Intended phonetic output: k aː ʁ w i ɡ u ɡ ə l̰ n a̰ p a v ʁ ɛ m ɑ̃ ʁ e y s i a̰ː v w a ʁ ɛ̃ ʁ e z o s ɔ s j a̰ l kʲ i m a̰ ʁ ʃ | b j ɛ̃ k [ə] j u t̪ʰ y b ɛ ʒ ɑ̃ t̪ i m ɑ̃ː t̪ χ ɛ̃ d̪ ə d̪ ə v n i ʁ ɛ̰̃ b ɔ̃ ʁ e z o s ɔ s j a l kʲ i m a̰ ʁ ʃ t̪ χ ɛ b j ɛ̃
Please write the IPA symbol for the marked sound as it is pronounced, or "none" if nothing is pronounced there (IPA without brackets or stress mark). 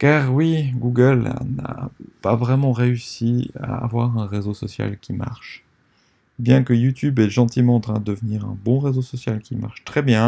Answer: ə